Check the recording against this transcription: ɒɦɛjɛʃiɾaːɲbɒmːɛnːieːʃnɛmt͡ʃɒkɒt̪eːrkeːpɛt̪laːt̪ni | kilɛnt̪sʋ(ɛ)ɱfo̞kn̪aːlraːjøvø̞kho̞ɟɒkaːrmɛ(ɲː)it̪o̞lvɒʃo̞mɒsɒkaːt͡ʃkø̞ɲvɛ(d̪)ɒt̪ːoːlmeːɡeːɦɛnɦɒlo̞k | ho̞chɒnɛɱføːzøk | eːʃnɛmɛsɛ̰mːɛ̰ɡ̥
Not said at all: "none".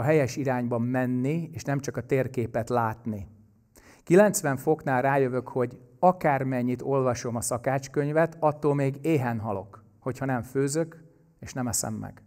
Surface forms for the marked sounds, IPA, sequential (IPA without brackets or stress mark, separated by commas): ɛ, ɲː, t̪